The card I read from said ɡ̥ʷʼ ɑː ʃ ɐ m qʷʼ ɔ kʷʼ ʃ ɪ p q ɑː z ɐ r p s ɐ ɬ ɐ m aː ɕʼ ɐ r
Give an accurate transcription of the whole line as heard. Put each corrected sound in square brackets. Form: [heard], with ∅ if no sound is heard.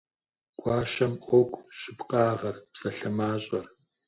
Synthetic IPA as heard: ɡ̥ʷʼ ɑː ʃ ɐ m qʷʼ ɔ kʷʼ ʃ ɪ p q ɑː [ʁ] ɐ r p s ɐ ɬ ɐ m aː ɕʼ ɐ r

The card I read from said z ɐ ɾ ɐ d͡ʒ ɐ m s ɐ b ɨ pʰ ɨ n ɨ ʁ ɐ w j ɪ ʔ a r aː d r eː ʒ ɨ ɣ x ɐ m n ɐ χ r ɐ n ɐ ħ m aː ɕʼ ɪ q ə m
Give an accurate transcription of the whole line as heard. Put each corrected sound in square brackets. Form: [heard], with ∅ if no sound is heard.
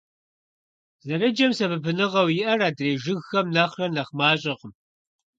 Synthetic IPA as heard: z ɐ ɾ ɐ d͡ʒ ɐ m s ɐ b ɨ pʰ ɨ n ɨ ʁ ɐ w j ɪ ʔ [ɐ] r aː d r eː ʒ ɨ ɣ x ɐ m n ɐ χ r ɐ n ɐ [χ] m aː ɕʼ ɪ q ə m

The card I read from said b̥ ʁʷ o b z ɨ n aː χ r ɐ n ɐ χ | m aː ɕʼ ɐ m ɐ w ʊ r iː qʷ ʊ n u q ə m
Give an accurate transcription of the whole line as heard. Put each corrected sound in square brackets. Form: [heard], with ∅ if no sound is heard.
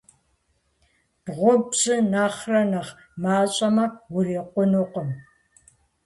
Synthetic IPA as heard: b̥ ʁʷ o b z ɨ n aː χ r ɐ n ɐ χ | m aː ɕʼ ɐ m ɐ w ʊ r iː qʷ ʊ n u q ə m

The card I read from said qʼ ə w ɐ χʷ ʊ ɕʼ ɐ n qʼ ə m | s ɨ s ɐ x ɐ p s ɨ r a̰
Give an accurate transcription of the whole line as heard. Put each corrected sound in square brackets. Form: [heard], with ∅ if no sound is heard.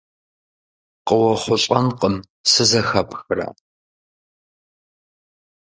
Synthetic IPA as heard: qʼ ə w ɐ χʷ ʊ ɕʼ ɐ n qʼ ə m | s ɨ [z] ɐ x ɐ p [x] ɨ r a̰

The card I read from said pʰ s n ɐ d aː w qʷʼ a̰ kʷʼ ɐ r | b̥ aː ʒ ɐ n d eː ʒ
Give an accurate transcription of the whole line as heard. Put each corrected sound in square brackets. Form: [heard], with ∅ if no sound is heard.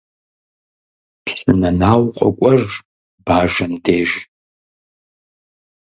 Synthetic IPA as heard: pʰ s n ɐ [n] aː w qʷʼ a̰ kʷʼ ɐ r | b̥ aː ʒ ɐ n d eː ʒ

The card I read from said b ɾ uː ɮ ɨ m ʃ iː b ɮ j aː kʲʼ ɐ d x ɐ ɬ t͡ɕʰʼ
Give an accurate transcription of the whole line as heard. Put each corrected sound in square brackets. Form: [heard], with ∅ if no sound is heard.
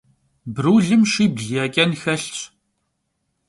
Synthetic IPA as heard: b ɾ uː ɮ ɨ m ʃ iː b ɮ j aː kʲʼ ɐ [n] x ɐ ɬ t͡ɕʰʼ

